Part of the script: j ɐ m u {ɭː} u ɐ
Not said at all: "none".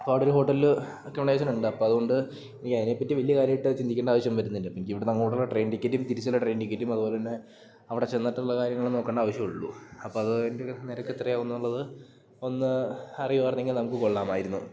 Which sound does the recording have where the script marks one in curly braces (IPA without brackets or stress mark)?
ɭː